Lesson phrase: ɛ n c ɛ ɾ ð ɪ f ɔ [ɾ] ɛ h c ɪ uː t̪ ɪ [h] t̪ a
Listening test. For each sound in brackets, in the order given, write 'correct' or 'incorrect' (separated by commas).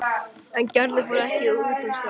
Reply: correct, incorrect